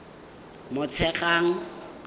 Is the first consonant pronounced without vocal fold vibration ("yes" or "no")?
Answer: no